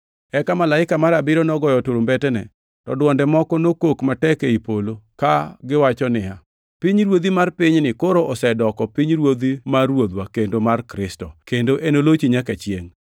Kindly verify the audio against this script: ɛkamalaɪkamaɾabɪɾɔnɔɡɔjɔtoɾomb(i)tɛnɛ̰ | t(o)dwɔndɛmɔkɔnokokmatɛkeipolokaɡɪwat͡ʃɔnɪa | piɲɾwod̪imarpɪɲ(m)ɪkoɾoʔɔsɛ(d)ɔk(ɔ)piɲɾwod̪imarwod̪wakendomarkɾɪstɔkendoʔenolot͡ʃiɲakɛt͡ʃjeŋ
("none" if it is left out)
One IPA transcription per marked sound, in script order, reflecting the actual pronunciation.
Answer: ɛ, ɔ, n, d, ɔ

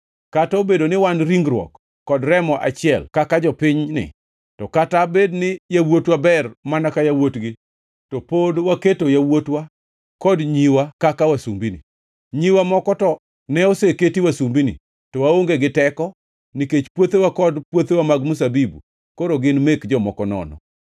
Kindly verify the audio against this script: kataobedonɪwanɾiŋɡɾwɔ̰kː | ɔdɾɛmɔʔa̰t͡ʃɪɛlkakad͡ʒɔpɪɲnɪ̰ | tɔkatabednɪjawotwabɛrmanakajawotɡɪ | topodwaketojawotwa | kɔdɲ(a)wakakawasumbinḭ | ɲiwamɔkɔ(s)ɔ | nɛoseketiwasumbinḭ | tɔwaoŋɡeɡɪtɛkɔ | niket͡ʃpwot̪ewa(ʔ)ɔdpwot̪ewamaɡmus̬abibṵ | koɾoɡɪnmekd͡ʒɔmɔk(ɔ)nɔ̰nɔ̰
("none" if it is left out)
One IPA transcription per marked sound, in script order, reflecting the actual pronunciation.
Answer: i, t, k, ɔ

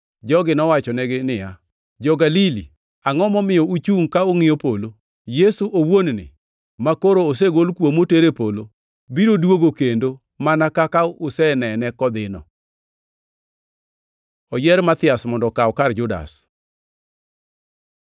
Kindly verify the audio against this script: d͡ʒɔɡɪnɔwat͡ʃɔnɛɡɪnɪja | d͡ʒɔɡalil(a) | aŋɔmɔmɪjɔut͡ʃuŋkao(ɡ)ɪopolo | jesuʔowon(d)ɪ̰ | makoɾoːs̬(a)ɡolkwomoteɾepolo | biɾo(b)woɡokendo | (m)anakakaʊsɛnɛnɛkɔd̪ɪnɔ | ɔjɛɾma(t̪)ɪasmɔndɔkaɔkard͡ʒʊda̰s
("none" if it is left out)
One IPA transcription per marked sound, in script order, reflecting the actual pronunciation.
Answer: i, ŋ, n, e, d, m, t̪

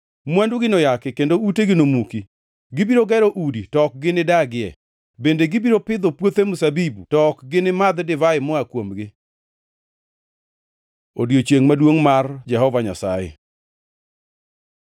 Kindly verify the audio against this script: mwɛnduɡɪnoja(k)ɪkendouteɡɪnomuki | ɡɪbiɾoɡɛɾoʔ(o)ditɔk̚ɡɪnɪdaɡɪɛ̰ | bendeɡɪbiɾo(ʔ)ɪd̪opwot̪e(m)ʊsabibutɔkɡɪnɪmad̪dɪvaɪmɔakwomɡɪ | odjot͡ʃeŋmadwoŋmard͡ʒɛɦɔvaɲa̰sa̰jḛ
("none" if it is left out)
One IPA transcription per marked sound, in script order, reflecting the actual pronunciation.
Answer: k, u, p, m

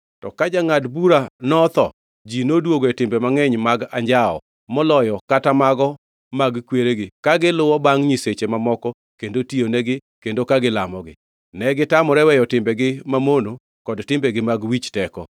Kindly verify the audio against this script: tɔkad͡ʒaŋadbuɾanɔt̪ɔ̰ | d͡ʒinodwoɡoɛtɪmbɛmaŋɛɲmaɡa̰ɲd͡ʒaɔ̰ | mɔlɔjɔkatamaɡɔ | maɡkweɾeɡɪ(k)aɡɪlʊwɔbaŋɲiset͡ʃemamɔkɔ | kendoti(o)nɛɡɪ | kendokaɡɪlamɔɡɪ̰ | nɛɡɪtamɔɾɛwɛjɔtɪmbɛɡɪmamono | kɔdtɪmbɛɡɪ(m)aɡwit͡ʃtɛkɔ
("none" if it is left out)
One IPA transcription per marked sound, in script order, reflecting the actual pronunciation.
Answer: k, o, m

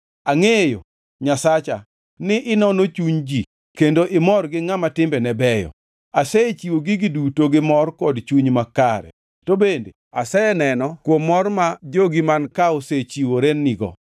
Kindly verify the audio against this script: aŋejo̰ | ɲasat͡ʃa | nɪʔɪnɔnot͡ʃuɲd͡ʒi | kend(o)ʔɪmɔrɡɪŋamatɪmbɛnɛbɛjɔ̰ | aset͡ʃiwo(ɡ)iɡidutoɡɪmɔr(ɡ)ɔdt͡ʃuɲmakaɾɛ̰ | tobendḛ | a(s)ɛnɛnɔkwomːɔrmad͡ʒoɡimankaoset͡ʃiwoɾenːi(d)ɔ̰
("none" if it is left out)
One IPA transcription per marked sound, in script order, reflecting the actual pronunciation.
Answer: o, ɡ, k, s, ɡ

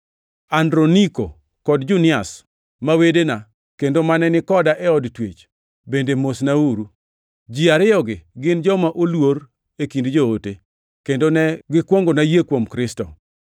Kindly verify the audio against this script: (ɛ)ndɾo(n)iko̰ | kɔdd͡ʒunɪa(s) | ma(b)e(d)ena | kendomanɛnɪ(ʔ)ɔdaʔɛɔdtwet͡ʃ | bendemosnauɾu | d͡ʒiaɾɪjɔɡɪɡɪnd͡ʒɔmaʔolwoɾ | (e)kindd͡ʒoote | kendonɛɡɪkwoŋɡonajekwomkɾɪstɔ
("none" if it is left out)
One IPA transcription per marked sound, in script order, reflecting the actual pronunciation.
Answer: a, n, s, w, d, k, e

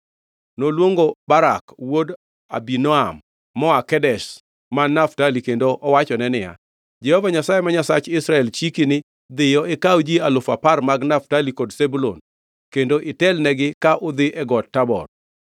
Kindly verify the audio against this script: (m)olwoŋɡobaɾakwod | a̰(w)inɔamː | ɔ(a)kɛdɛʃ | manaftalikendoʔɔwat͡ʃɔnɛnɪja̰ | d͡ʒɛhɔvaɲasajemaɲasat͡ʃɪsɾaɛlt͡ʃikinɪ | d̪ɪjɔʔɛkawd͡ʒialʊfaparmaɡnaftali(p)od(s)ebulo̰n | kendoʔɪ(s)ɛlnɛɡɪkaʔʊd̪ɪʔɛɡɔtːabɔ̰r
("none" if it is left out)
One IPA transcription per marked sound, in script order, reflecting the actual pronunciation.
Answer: n, b, a, k, s, t

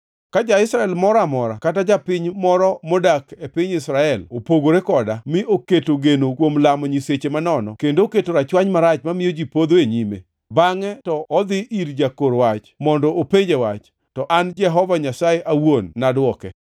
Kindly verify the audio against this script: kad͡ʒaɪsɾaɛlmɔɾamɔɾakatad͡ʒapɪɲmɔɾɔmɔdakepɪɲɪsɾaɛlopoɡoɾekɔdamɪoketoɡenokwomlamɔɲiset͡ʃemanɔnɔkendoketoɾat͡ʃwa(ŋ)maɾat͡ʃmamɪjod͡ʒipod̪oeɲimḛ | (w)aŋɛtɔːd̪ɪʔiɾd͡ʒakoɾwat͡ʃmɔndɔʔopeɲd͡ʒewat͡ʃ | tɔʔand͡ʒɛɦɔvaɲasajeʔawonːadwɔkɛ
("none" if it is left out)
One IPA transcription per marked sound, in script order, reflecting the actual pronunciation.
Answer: ɲ, b

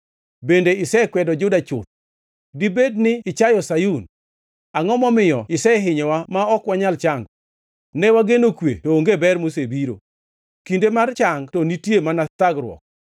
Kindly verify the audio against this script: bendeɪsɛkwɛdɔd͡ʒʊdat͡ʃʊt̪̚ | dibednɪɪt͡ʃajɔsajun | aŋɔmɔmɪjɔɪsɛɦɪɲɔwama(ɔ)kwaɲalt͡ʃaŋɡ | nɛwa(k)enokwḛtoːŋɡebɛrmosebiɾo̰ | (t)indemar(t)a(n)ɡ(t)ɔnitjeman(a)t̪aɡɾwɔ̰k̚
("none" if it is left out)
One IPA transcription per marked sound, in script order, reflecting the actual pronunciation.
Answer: ɔ, ɡ, k, t͡ʃ, ŋ, t, a

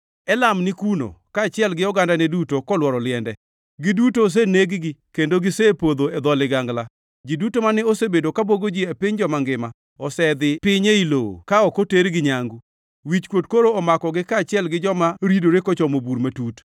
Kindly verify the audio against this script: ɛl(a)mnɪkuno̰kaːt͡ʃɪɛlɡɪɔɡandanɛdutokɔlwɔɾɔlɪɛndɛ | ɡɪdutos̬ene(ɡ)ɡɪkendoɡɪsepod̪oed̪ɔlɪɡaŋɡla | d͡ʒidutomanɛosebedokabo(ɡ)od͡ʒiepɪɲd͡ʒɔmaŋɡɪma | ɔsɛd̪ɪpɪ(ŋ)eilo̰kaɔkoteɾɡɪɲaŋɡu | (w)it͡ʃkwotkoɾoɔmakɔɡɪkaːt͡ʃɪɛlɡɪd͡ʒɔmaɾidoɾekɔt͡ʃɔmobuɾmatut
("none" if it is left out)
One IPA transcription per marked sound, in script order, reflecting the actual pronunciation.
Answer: a, ɡ, ɡ, ɲ, w

